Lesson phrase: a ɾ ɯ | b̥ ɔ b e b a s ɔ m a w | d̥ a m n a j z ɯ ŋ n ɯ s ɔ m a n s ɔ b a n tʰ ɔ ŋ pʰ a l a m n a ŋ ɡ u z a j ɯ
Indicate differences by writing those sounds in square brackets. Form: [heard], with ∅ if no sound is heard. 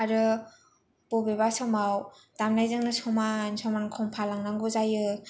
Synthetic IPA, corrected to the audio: a ɾ ɯ | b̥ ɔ b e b a s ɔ m a w | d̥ a m n a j z ɯ ŋ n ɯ s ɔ m a n s ɔ [m] a n [kʰ] ɔ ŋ pʰ a l a [ŋ] n a ŋ ɡ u z a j ɯ

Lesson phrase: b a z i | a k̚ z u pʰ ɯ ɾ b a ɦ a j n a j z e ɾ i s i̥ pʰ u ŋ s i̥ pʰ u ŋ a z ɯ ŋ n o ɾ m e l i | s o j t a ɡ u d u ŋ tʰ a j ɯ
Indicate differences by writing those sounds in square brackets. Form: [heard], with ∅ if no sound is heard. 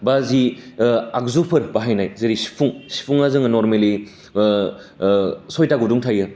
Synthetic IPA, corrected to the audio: b a z i | a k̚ z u pʰ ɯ ɾ b a ɦ a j n a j z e ɾ i s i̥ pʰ u ŋ s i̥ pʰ u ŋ a z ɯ ŋ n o ɾ m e l i | s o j t a ɡ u d u ŋ tʰ a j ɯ

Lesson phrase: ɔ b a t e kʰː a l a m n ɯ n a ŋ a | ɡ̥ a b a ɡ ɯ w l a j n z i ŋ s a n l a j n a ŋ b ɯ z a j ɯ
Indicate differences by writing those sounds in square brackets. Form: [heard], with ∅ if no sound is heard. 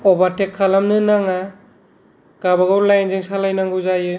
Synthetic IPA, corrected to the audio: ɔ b a t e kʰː a l a m n ɯ n a ŋ a | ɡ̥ a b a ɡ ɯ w l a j n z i ŋ s a [∅] l a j n a ŋ [ɡ] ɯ z a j ɯ

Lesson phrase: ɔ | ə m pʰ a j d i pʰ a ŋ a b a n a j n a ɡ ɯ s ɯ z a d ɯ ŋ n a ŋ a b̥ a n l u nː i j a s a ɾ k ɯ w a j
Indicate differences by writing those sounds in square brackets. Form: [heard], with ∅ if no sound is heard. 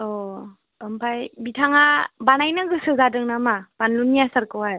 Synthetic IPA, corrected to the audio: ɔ | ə m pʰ a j [b] i [tʰ] a ŋ a b a n a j n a ɡ ɯ s ɯ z a d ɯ ŋ n a [m] a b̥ a n l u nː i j a s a ɾ k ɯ w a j

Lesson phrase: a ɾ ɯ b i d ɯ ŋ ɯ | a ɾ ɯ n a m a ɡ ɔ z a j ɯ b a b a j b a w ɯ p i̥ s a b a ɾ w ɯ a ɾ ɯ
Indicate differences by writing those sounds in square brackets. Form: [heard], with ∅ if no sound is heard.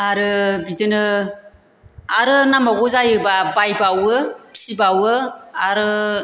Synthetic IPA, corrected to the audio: a ɾ ɯ b i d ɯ [n] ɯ | a ɾ ɯ n a m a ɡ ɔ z a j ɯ b a b a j b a w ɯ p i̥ s [i] b a [∅] w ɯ a ɾ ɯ

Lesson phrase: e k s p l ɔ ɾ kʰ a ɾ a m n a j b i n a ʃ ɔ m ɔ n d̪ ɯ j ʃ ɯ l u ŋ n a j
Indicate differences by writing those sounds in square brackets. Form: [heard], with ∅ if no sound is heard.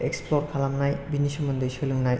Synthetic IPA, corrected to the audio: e k s p l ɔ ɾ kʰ a [l] a m n a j b i n [i] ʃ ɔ m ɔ n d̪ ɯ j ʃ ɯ l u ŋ n a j

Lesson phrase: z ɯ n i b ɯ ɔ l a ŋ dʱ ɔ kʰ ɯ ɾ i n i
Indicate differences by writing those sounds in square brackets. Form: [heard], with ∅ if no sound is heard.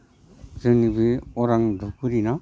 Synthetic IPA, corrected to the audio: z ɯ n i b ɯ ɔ [ɾ] a ŋ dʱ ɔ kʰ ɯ ɾ i n [a]

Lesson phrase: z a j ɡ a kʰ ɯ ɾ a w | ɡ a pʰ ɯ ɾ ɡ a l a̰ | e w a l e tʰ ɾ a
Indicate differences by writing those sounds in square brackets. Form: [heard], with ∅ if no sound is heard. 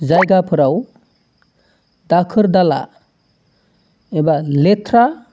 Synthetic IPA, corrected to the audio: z a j ɡ a [pʰ] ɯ ɾ a w | [d] a [kʰ] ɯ ɾ [d] a l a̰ | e [b] a l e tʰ ɾ a

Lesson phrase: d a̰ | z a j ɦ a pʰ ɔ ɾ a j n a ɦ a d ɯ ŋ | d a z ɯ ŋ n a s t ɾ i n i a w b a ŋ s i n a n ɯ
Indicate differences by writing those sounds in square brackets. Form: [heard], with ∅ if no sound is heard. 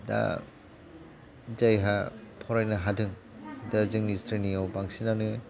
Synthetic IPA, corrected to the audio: d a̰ | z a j ɦ a pʰ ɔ ɾ a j n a ɦ a d ɯ ŋ | d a z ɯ ŋ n [i] s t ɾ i n i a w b a ŋ s i n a n ɯ

